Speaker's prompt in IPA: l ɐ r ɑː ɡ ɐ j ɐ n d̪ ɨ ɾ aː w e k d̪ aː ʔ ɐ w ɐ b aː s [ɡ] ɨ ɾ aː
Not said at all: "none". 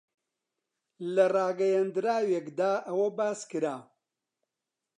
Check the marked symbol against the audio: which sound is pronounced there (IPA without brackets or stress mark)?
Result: k